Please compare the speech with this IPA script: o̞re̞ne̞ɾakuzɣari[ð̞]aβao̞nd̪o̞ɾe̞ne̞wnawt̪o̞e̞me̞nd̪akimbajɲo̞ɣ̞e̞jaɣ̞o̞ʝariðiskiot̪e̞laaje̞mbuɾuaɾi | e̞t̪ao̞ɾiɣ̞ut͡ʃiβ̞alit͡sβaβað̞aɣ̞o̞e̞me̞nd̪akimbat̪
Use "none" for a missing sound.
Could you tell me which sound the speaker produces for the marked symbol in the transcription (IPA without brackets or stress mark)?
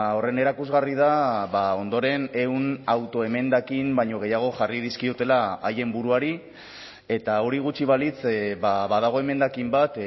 ð̞